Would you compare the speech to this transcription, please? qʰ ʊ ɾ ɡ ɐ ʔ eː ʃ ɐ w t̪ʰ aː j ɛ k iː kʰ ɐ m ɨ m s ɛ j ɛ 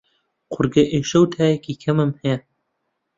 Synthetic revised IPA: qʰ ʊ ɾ ɡ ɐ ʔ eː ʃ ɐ w t̪ʰ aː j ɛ k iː kʰ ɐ m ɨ m h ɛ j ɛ